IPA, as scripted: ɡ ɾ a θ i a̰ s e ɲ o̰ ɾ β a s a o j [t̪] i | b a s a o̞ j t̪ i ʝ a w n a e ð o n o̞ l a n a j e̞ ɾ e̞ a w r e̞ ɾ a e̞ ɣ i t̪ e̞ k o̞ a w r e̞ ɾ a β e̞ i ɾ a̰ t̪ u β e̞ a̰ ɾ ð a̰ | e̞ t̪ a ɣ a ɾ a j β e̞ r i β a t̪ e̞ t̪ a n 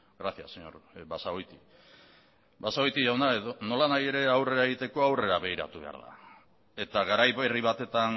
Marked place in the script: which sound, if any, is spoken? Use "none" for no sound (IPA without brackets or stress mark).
t̪